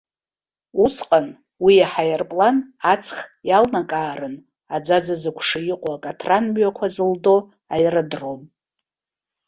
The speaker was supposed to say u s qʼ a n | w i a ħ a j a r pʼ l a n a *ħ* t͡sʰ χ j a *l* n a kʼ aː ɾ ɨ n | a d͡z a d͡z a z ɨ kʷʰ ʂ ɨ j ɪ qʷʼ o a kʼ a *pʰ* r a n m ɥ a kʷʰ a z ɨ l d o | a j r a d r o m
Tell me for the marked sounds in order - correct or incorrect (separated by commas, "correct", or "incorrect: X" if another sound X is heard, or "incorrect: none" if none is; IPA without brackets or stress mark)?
incorrect: none, correct, incorrect: tʰ